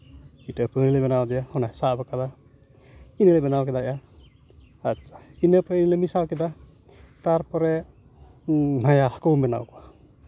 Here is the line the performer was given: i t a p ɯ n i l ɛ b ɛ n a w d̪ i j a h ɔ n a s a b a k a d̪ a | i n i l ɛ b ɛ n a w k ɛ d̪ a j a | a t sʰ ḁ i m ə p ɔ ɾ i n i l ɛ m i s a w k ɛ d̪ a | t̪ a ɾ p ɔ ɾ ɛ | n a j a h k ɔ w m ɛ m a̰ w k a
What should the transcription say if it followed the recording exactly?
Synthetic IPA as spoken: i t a p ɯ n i l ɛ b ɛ n a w d̪ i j a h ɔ n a s a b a k a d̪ a | i n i l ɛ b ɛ n a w k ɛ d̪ a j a | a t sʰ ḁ i n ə p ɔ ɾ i n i l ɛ m i s a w k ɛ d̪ a | t̪ a ɾ p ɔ ɾ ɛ | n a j a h k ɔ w m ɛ n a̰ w k a